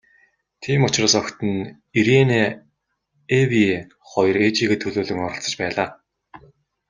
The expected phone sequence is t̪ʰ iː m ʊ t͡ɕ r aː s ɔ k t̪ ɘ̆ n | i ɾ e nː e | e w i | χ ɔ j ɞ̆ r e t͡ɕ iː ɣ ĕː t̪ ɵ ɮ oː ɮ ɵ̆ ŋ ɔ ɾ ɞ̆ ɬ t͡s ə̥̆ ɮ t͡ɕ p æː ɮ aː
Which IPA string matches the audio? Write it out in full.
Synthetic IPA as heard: t̪ʰ iː m ʊ t͡ɕ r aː s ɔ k t̪ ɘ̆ n | i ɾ e n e | e w i | χ ɔ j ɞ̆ r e t͡ɕ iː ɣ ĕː t̪ʰ ɵ ɮ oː ɮ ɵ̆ ŋ ɔ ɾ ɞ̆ ɬ t͡s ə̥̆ t͡ɕ p æː ɮ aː